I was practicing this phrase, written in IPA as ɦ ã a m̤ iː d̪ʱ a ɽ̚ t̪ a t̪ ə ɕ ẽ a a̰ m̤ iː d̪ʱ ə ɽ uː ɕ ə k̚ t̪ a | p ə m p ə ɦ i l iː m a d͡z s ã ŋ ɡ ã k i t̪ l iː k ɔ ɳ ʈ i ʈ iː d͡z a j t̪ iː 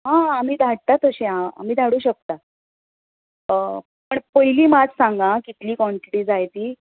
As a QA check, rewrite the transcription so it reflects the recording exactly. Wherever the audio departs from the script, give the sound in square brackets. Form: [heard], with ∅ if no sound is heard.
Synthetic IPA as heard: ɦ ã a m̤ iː d̪ʱ a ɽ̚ t̪ a t̪ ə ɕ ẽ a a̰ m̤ iː d̪ʱ [a] ɽ uː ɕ ə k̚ t̪ a | p ə [ɳ] p ə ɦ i l iː m a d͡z s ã ŋ ɡ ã k i t̪ l iː k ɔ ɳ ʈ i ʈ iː d͡z a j t̪ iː